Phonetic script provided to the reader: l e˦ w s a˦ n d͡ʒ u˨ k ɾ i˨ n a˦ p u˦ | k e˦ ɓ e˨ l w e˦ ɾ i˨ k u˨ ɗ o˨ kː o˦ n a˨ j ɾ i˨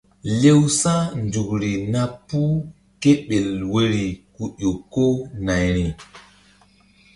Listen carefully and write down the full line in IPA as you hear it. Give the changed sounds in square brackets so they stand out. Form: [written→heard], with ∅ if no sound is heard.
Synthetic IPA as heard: l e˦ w s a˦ n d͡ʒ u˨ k ɾ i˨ n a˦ p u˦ | k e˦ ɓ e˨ l w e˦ ɾ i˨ k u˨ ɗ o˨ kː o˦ n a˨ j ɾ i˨

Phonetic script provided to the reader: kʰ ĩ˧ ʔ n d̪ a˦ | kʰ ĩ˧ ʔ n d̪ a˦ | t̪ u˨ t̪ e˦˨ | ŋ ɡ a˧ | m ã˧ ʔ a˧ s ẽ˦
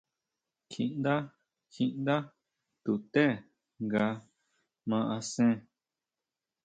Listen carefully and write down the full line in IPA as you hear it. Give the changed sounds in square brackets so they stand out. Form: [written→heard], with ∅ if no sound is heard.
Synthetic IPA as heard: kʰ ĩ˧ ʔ n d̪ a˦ | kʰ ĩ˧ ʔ n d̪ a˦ | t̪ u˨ t̪ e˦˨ | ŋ ɡ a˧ | m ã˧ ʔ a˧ s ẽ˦

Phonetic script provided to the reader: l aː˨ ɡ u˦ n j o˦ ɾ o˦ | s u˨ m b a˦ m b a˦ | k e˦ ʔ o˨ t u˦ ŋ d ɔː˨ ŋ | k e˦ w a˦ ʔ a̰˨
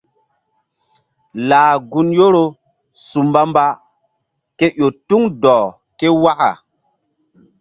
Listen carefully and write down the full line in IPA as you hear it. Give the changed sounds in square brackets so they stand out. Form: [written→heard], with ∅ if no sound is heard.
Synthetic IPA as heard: l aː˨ ɡ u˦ n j o˦ ɾ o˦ | s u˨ m b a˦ m b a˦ | k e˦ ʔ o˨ t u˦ ŋ d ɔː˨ [ŋ→∅] | k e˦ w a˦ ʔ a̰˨

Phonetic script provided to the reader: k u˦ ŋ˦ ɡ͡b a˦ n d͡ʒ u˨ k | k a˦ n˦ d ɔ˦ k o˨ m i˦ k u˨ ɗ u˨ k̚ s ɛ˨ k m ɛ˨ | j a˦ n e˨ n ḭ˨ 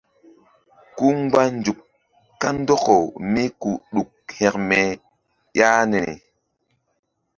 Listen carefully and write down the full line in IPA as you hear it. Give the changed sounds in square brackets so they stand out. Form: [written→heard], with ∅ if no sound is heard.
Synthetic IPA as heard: k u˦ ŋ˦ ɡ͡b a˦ n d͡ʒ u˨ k | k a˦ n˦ d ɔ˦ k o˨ m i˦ k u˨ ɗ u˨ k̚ [s→h] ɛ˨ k m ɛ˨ | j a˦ n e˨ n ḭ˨

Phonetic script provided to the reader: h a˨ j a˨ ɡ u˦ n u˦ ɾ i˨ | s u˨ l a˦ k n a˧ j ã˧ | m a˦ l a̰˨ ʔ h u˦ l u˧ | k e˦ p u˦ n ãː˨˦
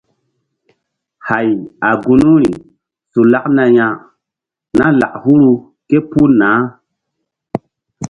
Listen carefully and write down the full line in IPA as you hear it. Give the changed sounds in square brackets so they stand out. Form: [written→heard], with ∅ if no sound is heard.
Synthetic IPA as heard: h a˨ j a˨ ɡ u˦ n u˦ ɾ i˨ | s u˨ l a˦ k n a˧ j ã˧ | [m→n] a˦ l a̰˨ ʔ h u˦ [l→ɾ] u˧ | k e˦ p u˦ n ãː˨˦

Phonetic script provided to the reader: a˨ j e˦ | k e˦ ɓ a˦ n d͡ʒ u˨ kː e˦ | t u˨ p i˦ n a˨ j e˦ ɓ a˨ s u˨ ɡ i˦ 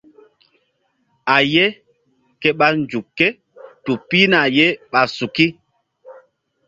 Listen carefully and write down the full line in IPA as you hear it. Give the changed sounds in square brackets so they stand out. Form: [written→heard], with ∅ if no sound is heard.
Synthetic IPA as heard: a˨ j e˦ | k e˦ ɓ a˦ n d͡ʒ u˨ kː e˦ | t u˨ p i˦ n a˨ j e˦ ɓ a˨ s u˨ [ɡ→k] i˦

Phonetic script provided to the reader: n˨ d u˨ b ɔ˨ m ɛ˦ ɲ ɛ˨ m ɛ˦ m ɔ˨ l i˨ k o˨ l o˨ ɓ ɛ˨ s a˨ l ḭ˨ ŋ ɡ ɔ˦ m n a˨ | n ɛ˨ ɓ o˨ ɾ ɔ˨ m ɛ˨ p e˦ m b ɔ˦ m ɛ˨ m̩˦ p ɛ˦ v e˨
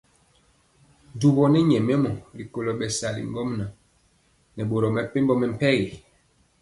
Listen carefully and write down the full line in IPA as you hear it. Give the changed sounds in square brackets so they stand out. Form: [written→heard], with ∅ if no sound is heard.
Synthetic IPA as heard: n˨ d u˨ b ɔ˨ [m→n] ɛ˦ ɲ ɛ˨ m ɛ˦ m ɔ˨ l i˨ k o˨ l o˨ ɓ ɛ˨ s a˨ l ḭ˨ ŋ ɡ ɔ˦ m n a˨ | n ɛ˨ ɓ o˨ ɾ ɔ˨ m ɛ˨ p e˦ m b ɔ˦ m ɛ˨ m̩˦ p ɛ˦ [v→ɣ] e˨

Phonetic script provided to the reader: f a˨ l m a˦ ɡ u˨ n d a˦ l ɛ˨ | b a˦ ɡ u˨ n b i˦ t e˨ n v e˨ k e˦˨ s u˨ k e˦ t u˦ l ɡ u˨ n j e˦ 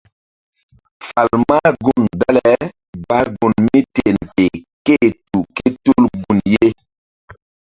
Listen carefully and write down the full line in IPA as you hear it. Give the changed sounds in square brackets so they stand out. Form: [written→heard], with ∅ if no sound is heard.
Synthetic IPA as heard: f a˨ l m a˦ ɡ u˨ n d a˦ l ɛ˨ | b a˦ ɡ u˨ n [b→m] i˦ t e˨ n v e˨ k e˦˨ [s→t] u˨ k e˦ t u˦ l ɡ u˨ n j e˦

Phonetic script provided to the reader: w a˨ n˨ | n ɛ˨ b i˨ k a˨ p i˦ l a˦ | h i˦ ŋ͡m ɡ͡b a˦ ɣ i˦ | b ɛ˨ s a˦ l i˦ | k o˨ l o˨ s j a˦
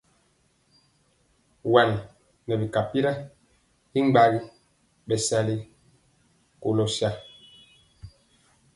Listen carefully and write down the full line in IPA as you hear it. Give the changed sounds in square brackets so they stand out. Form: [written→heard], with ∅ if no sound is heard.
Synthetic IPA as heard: w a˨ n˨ | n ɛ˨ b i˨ k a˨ p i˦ [l→ɾ] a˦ | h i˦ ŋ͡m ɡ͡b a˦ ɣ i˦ | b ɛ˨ s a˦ l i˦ | k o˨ l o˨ s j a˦

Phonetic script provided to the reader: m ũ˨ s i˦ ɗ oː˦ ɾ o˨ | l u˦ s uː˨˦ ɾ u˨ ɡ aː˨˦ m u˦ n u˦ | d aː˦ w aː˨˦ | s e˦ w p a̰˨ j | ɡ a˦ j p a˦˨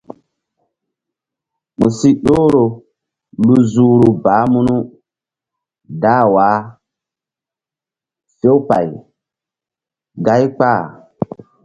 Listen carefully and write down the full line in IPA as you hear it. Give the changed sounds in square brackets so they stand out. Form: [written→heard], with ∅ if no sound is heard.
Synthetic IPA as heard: m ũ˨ s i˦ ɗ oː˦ ɾ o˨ | l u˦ [s→z] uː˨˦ ɾ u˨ [ɡ→b] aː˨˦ m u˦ n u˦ | d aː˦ w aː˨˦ | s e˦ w p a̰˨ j | ɡ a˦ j [p→k͡p] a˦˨

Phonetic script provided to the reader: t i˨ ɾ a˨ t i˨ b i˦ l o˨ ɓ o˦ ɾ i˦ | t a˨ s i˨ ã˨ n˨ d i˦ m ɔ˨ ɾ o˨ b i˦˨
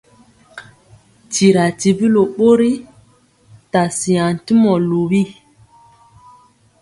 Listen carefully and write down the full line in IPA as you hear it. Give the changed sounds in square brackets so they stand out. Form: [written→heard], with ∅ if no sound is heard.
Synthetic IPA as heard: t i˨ ɾ a˨ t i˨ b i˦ l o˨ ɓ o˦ ɾ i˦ | t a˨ s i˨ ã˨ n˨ [d→t] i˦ m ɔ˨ [ɾ→l] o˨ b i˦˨

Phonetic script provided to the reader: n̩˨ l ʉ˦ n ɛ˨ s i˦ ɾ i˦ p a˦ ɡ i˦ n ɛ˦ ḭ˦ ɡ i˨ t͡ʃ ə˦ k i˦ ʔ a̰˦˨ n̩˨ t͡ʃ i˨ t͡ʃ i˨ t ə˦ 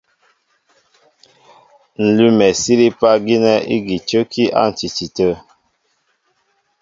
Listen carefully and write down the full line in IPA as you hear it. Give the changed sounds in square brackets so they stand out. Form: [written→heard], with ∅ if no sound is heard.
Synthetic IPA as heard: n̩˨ l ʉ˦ [n→m] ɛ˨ s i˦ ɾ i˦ p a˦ ɡ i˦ n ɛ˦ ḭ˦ ɡ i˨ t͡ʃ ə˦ k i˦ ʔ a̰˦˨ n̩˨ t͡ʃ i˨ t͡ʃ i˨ t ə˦

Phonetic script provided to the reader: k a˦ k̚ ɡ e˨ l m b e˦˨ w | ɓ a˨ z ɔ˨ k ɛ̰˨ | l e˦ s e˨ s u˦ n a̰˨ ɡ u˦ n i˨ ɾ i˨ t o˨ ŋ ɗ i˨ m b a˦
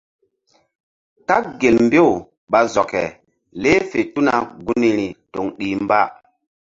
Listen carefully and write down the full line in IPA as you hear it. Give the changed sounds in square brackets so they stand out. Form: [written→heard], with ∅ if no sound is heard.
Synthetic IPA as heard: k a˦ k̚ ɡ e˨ l m b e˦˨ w | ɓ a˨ z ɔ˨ k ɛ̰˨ | l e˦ [s→f] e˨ [s→t] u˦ n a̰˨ ɡ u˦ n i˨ ɾ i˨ t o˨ ŋ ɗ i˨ m b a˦

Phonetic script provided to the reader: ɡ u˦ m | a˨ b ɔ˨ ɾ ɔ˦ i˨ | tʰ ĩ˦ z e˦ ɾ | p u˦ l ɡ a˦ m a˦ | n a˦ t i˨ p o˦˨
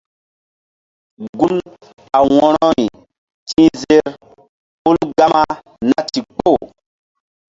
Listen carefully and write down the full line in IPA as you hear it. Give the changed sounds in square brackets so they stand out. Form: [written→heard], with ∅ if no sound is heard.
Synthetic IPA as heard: ɡ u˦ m | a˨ [b→w] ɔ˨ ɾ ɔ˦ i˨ | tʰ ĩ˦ z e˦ ɾ | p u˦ l ɡ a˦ m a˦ | n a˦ t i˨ [p→k͡p] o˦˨

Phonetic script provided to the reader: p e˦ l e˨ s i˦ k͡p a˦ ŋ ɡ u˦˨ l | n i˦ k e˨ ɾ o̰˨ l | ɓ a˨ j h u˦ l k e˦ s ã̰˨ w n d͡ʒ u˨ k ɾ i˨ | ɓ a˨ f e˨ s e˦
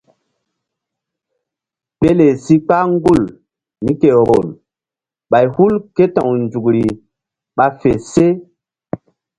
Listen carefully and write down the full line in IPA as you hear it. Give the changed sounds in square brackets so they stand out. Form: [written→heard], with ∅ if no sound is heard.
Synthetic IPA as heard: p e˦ l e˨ s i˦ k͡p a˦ ŋ ɡ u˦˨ l | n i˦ k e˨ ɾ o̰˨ l | ɓ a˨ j h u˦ l k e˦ [s→t] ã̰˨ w n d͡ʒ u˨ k ɾ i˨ | ɓ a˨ f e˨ s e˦

